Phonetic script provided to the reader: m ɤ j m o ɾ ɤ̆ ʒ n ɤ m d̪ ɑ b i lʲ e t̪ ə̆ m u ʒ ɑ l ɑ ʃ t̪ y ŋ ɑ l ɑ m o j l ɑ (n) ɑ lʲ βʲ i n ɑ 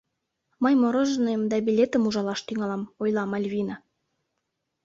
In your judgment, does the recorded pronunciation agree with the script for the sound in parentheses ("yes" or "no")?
no